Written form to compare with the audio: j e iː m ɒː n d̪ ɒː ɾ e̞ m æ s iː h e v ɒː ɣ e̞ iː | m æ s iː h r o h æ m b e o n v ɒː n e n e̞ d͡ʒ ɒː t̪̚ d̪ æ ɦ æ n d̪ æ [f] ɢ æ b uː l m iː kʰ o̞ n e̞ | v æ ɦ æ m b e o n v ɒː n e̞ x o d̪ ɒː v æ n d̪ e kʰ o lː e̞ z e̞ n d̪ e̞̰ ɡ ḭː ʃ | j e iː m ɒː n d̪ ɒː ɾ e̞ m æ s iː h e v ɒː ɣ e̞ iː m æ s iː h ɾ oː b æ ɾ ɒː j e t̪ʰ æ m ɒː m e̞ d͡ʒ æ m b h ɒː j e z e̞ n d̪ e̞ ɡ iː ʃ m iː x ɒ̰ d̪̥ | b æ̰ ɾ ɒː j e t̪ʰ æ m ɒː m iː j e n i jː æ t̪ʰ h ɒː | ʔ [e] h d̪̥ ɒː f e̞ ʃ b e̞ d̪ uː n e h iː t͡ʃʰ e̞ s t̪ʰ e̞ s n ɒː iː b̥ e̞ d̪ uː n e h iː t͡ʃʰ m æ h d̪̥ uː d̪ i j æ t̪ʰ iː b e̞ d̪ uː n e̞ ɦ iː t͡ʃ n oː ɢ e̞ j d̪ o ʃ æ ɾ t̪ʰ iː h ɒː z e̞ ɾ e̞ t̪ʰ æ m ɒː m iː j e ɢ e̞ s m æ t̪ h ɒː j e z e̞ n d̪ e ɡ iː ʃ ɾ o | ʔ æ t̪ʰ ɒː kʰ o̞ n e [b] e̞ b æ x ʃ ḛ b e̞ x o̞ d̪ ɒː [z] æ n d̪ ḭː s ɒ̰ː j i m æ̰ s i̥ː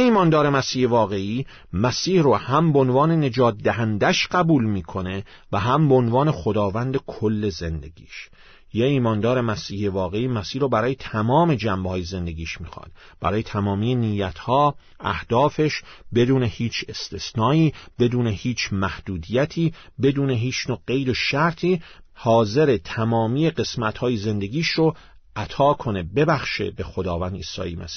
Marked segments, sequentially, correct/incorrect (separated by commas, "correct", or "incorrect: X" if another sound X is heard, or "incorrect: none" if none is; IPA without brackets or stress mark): incorrect: ʃ, incorrect: æ, correct, incorrect: v